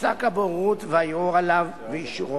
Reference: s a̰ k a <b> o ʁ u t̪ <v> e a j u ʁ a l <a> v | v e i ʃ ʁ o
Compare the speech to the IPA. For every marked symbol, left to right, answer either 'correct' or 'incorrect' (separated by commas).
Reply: correct, correct, correct